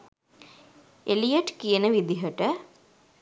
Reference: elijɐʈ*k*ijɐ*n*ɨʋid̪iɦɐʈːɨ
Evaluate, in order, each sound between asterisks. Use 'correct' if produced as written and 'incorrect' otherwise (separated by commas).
correct, correct